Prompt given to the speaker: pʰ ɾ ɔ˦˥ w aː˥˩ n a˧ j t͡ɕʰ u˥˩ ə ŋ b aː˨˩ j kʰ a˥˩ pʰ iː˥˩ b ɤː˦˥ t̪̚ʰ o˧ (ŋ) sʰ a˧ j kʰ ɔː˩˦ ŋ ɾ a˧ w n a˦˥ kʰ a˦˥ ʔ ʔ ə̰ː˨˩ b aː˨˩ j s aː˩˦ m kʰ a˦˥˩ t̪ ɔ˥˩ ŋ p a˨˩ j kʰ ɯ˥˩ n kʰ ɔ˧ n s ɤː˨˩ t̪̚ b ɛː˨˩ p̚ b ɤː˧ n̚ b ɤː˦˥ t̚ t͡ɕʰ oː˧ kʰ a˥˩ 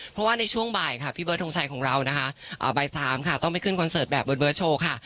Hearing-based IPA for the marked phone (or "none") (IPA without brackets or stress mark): ŋ